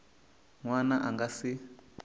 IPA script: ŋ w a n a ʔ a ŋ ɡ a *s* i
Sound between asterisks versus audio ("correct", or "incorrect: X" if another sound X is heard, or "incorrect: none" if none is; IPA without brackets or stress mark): correct